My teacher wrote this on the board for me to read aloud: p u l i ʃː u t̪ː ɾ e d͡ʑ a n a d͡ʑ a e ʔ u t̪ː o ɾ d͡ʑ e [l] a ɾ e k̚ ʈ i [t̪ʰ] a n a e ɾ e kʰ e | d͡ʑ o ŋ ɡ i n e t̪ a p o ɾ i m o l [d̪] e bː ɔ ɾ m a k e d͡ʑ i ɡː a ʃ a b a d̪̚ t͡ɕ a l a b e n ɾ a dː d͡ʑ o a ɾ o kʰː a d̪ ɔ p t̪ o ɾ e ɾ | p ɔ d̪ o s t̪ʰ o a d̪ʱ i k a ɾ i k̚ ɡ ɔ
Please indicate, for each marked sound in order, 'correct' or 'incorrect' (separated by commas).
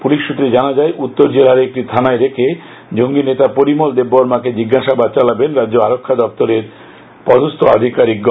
correct, correct, correct